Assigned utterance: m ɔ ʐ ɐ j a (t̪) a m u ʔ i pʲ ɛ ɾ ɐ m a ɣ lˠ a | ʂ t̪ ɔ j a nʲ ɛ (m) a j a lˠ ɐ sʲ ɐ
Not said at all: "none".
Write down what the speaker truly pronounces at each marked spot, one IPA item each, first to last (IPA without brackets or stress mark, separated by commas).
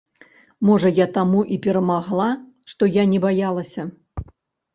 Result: t̪, b